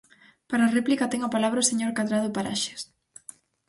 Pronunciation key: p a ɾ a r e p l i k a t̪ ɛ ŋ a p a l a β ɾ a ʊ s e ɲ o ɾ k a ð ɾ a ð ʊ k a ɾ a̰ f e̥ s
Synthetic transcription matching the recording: p a ɾ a r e p l i k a t̪ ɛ ŋ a p a l a β ɾ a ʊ s e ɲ o ɾ k a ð ɾ a ð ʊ p a ɾ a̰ ʃ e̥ s